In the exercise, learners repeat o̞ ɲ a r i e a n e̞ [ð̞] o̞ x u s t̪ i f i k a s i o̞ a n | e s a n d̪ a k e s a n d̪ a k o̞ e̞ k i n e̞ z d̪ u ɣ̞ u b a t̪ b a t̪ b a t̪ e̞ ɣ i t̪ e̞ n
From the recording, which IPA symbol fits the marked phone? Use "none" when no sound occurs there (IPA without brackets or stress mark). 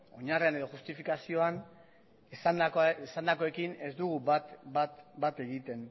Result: ð̞